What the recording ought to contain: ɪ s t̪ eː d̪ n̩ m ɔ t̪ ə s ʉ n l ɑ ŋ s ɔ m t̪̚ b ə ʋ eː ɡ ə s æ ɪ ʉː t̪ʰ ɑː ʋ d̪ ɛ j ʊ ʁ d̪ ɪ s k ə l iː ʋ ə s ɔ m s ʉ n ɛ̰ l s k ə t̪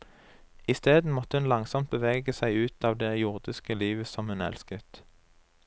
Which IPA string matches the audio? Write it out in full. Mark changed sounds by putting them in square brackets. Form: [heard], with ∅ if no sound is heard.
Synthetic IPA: ɪ s t̪ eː d̪ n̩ m ɔ t̪ ə [h] ʉ n l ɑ ŋ s ɔ m t̪̚ b ə ʋ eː ɡ ə s æ ɪ ʉː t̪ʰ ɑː ʋ d̪ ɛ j ʊ ʁ d̪ ɪ s k ə l iː ʋ ə s ɔ m [h] ʉ n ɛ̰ l s k ə t̪